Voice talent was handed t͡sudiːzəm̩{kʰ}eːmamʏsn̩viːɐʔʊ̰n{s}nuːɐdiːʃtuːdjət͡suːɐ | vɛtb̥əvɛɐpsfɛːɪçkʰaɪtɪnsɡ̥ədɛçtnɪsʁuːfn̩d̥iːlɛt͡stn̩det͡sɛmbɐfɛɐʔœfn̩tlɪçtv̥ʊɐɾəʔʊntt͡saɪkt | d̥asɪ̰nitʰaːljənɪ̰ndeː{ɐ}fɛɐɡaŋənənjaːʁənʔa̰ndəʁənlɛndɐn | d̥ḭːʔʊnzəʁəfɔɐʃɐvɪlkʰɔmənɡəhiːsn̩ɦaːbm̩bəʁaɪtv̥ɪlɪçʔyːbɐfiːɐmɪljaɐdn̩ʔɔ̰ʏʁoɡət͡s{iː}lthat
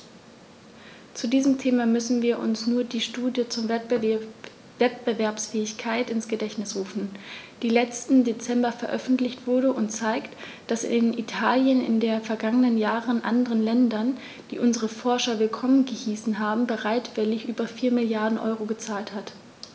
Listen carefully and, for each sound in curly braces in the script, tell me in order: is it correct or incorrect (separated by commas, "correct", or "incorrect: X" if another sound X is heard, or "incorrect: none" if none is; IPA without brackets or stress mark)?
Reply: incorrect: tʰ, correct, correct, incorrect: aː